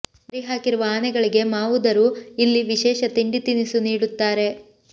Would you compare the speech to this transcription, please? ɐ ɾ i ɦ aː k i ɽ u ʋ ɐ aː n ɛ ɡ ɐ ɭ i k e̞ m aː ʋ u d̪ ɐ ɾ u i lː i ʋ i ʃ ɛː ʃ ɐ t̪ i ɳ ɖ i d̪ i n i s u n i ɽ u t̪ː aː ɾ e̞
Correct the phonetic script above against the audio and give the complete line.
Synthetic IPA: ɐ ɾ i ɦ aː k i ɾ u ʋ ɐ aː n ɛ ɡ ɐ ɭ i ɡ e̞ m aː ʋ u d̪ ɐ ɾ u i lː i ʋ i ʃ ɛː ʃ ɐ t̪ i ɳ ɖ i t̪ i n i s u n iː ɽ u t̪ː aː ɾ e̞